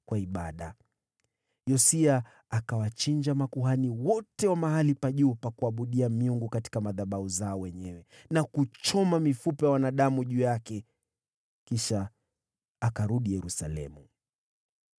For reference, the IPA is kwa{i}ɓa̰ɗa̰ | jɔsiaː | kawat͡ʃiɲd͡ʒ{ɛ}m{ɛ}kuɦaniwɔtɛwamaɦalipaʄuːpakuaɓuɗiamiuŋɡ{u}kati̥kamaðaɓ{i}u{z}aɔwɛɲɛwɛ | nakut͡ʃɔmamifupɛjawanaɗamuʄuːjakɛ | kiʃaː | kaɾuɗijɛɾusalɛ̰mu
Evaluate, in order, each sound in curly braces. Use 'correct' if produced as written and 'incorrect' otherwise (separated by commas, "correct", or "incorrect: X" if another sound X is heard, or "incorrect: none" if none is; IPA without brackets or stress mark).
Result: correct, incorrect: a, incorrect: a, correct, incorrect: a, correct